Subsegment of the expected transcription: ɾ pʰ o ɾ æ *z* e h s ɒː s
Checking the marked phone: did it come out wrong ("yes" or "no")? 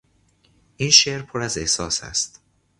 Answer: no